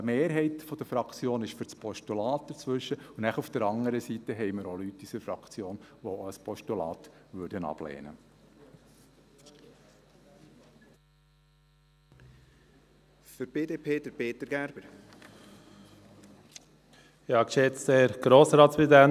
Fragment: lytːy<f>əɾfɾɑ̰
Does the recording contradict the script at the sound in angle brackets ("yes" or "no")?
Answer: yes